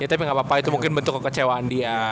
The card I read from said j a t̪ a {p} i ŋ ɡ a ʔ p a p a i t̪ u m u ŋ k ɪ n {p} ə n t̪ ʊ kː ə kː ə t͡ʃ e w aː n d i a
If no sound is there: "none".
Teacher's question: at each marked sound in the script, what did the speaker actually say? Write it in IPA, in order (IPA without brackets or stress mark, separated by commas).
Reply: p, b